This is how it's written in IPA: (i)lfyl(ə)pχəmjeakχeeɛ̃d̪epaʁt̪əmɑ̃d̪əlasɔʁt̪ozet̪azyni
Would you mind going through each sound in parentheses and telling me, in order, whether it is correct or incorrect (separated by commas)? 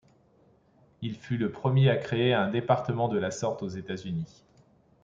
correct, correct